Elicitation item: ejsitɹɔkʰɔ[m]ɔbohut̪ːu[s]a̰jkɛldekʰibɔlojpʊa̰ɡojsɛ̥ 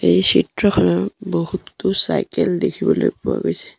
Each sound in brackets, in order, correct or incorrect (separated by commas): incorrect, correct